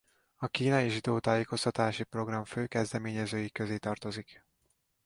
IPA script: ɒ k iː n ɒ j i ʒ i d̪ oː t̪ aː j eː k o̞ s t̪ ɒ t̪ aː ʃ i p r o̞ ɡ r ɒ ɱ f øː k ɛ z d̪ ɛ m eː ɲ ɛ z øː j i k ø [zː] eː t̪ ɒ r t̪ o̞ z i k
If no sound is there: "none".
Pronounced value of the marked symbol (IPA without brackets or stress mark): z